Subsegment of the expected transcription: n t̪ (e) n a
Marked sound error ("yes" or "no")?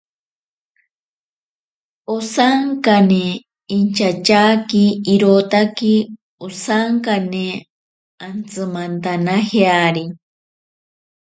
yes